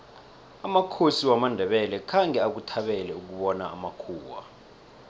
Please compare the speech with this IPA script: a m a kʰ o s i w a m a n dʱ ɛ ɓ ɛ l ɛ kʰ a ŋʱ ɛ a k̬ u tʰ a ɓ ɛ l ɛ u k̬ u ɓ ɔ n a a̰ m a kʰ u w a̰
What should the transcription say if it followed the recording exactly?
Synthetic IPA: a m a kʰ o s i w a m a n dʱ ɛ ɓ ɛ l ɛ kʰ a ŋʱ ɛ a k̬ u tʰ a ɓ ɛ l ɛ u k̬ u ɓ ɔ n a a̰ m a kʰ uː w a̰